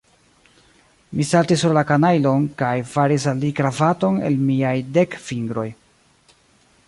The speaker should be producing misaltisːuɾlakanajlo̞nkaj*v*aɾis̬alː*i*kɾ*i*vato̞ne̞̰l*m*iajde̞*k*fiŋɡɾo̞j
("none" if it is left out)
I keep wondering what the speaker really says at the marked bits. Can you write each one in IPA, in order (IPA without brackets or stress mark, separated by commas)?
f, i, a, m, k